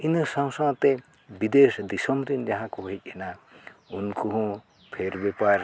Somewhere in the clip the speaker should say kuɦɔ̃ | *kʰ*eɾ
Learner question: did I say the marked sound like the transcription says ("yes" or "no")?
no